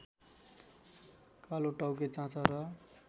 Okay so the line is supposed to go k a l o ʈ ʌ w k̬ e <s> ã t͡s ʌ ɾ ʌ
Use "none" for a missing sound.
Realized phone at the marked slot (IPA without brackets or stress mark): t͡s